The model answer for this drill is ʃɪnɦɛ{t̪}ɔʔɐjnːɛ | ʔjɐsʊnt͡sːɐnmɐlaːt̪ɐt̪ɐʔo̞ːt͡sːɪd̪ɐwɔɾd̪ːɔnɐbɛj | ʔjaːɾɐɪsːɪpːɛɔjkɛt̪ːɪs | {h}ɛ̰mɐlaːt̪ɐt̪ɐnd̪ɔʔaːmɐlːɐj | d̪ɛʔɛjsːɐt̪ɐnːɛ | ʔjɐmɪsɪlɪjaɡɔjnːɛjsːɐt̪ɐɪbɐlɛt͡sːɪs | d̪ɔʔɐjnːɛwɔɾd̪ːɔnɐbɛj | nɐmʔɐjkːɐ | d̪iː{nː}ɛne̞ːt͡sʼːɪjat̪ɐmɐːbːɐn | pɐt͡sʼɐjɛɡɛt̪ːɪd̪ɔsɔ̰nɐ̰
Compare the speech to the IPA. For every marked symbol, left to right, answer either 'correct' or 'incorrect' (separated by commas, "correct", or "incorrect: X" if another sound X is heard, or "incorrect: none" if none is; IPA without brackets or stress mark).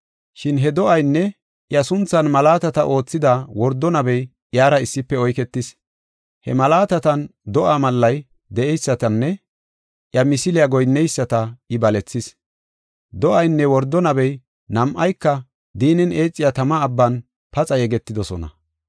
incorrect: d̪, correct, incorrect: n